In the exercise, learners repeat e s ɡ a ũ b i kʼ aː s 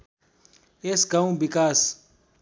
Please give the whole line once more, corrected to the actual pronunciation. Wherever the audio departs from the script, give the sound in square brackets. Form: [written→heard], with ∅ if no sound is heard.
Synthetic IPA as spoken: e s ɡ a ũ b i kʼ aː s